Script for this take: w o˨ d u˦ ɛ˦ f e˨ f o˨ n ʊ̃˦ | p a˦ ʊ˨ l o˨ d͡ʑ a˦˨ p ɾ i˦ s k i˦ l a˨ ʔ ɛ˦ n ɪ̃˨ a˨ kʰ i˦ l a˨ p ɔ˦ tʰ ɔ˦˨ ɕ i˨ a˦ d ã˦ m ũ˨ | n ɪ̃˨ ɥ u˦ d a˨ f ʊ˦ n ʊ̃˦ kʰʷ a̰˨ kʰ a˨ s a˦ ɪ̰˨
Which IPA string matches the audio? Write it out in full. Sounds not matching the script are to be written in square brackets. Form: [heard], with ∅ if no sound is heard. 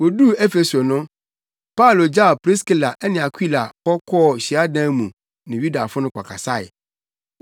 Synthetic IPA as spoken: w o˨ d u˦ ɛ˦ f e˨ [s] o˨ n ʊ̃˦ | p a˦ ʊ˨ l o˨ d͡ʑ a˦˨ p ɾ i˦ s k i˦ l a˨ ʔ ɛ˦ n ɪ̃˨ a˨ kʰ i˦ l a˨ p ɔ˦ [kʰ] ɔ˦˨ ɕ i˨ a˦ d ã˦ m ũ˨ | n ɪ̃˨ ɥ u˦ d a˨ f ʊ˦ n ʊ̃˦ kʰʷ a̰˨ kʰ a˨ s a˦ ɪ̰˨

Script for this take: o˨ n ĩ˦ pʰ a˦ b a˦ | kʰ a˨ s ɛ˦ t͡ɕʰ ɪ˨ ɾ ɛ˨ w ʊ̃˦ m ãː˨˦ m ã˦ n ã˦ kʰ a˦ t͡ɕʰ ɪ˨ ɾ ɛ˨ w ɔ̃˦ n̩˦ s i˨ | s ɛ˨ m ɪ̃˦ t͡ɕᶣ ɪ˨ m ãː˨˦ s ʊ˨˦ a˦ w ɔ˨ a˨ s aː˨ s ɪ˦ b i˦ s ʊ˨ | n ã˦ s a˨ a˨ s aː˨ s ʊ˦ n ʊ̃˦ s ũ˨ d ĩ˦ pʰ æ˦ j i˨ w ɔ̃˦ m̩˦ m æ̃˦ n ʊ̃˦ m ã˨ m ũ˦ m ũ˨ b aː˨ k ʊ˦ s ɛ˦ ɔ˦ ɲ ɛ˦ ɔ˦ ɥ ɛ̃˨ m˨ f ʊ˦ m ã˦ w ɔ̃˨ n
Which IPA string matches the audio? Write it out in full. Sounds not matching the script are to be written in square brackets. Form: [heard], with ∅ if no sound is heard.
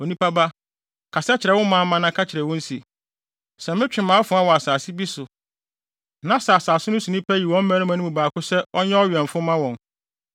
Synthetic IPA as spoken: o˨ n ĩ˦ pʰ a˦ b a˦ | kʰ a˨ s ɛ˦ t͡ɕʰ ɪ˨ ɾ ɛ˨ w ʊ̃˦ m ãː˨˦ m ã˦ n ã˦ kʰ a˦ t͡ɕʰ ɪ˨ ɾ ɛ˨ w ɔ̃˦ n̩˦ s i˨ | s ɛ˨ m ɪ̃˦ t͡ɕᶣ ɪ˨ m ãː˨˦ [f] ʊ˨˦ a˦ w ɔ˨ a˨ s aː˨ s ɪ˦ b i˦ s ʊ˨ | n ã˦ s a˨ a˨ s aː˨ s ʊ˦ n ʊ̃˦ s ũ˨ [n] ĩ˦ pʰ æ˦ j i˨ w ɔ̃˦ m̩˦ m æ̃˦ n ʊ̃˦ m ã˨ [n] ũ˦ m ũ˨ b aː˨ k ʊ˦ s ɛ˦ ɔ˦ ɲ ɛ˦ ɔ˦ ɥ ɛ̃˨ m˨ f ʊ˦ m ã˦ w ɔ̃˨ n

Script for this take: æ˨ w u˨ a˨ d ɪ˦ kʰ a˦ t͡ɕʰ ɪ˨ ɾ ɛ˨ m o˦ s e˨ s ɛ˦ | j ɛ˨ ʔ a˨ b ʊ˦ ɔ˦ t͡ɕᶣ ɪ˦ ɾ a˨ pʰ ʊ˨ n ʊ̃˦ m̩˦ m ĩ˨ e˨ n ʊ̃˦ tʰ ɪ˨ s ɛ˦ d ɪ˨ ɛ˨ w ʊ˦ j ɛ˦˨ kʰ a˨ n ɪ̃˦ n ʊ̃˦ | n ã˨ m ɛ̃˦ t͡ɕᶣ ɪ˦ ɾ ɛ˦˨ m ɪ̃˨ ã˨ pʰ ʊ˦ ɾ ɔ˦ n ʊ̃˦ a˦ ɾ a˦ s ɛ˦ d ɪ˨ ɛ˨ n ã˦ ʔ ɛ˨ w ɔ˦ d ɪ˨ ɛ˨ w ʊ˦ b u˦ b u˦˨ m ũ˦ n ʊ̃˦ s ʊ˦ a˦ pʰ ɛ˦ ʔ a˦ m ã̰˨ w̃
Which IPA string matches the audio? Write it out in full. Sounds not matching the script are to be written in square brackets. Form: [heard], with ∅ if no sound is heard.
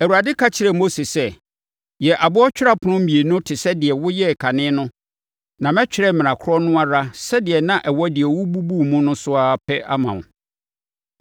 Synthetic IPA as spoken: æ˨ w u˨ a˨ d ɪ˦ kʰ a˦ t͡ɕʰ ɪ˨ ɾ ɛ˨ m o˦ s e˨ s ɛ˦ | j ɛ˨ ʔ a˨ b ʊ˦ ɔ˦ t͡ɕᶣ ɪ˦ ɾ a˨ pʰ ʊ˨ n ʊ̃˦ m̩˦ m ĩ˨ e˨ n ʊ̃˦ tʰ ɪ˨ s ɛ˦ d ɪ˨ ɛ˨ w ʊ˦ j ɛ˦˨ kʰ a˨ n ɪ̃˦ n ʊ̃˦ | n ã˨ m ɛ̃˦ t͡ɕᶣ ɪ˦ ɾ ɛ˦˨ m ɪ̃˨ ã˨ [kʰ] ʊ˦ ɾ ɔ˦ n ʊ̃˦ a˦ ɾ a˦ s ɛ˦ d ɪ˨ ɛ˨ n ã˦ ʔ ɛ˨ w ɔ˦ d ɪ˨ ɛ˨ w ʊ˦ b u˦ b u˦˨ m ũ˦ n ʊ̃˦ s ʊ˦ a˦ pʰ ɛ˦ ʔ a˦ m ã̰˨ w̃

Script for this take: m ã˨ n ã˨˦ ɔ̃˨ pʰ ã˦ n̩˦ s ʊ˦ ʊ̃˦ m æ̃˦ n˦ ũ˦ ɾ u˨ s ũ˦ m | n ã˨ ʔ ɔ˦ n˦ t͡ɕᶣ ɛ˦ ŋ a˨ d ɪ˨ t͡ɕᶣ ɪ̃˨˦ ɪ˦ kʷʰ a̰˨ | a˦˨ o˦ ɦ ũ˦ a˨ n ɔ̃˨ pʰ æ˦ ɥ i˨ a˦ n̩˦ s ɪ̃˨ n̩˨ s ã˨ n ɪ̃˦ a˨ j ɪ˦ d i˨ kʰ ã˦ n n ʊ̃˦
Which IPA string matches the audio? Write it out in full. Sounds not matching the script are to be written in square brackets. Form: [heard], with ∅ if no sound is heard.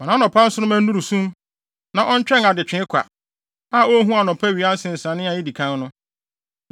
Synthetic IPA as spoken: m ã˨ n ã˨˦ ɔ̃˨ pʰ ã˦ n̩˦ s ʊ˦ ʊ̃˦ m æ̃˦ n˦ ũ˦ ɾ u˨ s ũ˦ m | n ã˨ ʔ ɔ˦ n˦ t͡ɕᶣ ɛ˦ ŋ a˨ d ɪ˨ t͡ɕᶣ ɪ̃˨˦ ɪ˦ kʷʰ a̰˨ | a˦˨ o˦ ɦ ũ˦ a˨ n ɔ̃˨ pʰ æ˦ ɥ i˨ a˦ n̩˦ s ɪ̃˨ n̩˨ s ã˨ n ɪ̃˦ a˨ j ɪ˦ d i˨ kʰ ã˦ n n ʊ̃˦

